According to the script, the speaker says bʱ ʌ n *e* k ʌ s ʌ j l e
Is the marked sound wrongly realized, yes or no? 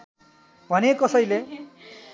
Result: no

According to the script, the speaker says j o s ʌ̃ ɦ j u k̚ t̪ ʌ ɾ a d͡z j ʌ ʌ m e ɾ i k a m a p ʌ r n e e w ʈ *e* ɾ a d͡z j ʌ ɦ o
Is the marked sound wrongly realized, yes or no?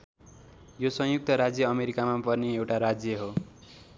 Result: yes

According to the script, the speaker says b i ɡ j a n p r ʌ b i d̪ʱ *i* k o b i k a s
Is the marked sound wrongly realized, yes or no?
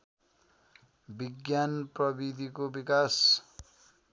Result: no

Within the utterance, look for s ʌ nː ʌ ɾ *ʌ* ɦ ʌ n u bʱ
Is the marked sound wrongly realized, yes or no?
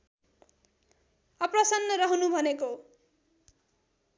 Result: no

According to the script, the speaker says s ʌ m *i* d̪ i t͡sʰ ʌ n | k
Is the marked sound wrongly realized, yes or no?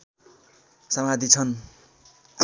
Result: yes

